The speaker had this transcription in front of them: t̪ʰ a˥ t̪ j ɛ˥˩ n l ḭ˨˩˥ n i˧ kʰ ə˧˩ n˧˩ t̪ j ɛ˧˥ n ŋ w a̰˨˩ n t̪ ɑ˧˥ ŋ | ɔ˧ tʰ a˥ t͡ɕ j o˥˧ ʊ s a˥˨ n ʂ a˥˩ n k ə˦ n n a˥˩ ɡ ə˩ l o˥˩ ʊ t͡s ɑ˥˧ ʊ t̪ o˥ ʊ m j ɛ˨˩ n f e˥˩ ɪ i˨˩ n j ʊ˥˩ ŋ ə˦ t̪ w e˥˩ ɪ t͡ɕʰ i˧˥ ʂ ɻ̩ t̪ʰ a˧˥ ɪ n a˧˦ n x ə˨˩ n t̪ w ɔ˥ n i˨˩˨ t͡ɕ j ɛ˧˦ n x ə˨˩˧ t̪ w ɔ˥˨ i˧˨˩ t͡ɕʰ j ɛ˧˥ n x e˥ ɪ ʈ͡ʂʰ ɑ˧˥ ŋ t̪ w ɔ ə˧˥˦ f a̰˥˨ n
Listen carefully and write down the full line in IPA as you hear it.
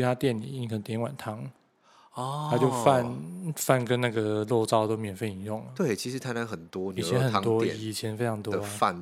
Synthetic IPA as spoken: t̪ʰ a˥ t̪ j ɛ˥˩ n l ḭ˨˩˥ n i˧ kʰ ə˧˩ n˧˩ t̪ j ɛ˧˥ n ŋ w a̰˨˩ n t̪ʰ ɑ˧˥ ŋ | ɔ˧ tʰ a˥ t͡ɕ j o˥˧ ʊ f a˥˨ n f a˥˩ n k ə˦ n n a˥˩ ɡ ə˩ l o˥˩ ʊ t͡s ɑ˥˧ ʊ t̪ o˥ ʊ m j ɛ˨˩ n f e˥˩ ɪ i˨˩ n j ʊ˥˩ ŋ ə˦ t̪ w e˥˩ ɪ t͡ɕʰ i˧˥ ʂ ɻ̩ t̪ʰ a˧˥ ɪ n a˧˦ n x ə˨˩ n t̪ w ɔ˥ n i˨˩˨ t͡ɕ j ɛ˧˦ n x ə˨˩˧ t̪ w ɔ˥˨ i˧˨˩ t͡ɕʰ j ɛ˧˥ n f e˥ ɪ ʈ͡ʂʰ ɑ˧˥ ŋ t̪ w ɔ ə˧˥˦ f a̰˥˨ n